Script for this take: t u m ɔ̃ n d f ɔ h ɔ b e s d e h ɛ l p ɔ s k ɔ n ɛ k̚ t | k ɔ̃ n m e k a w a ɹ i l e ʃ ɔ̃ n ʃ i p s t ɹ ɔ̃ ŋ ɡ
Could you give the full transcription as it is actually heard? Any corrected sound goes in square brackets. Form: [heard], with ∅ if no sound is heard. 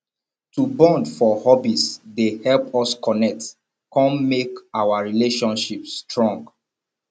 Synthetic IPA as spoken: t u [b] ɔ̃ n d f ɔ h ɔ b [i] s d e h ɛ l p ɔ s k ɔ n ɛ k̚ t | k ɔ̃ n m e k a w a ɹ i l e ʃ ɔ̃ n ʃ i p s t ɹ ɔ̃ ŋ ɡ